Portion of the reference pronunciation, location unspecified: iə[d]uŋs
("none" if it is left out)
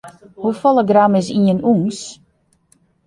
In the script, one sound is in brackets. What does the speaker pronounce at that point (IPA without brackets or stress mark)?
n